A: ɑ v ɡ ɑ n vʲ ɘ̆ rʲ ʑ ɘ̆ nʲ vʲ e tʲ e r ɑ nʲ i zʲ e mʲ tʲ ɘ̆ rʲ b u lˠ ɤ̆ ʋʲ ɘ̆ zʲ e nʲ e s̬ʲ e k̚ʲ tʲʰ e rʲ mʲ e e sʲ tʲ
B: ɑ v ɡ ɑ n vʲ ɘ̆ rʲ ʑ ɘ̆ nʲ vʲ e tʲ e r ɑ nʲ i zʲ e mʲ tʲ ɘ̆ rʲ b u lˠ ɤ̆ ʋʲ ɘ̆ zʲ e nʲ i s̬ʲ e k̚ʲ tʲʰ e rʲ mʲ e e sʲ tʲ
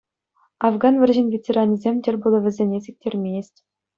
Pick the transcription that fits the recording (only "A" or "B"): A